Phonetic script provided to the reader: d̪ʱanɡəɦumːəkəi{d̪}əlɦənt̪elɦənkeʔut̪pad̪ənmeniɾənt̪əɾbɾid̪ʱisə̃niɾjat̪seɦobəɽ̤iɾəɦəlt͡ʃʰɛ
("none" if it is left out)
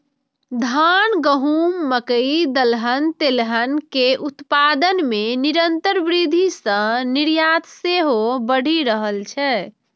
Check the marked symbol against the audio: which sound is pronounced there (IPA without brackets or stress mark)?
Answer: d̪